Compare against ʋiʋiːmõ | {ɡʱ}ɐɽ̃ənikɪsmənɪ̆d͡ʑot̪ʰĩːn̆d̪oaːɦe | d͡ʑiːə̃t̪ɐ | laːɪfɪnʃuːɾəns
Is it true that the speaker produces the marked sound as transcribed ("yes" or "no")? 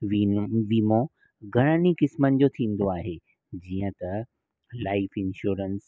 yes